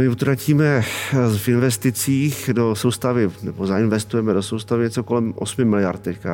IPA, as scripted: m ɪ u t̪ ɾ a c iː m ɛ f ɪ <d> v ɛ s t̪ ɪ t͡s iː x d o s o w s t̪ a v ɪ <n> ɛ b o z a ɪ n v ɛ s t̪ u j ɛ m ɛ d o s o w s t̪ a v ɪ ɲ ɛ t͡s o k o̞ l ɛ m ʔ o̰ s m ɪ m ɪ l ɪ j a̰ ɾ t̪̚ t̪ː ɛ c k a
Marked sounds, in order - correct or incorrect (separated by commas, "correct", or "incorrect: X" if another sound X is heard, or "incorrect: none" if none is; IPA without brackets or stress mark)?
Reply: incorrect: n, correct